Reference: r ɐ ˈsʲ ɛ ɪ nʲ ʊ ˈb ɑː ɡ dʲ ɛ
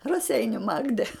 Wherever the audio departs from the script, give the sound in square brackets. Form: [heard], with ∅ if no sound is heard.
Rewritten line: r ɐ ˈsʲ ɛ ɪ nʲ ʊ [ˈm] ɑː ɡ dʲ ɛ